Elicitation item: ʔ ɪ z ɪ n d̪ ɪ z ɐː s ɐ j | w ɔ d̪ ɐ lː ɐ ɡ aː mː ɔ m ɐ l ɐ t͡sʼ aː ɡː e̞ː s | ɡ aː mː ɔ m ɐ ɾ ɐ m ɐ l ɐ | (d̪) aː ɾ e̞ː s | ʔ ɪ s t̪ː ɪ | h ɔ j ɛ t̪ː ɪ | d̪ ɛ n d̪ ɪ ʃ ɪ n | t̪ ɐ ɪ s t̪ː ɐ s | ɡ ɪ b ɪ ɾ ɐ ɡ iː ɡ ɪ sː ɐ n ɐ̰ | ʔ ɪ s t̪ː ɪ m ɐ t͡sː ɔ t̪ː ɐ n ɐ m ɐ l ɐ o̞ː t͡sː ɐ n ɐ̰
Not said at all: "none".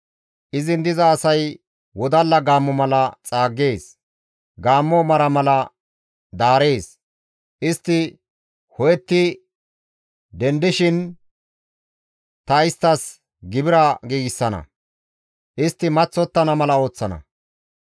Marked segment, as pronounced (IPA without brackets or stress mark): d̪